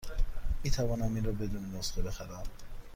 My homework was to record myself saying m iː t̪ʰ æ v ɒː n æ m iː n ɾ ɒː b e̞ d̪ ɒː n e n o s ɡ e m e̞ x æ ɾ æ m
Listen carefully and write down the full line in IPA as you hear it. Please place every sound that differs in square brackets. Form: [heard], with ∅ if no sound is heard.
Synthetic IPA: m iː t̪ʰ æ v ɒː n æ m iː n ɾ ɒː b e̞ d̪ [uː] n e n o s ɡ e [b] e̞ x æ ɾ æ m